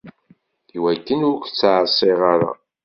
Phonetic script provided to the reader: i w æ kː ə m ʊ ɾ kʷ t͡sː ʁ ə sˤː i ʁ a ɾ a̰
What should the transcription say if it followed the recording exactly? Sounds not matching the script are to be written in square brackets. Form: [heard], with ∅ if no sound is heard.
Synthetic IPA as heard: i w æ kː ə [n] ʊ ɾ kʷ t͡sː [ʕ] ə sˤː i ʁ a ɾ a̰